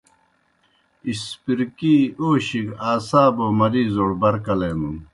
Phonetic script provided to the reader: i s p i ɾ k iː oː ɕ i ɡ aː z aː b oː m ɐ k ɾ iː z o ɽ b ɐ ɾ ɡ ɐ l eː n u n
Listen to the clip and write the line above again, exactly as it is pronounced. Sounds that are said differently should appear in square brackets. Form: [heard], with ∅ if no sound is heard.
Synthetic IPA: i s p i ɾ k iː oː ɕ i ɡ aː [s] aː b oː m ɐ [∅] ɾ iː z o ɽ b ɐ ɾ [k] ɐ l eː n u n